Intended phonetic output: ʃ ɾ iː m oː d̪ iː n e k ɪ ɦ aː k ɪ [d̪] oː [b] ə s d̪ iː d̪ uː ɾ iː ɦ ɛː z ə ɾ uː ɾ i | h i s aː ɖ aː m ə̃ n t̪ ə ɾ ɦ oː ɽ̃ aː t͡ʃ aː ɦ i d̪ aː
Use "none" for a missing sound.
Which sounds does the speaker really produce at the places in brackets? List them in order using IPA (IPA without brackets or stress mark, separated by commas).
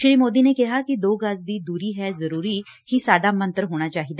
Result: d̪, ɡ